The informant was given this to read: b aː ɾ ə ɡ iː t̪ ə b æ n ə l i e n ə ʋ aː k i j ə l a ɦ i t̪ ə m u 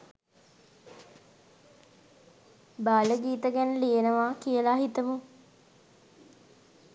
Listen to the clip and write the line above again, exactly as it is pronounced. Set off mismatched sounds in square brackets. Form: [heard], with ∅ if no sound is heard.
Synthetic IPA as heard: b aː [l] ə ɡ iː t̪ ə [ɡ] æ n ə l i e n ə ʋ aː k i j ə l a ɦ i t̪ ə m u